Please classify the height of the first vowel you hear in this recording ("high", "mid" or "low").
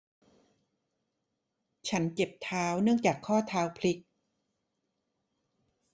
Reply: low